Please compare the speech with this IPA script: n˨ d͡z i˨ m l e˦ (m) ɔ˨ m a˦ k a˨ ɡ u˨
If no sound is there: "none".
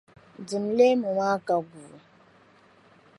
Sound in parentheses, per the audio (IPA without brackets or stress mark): m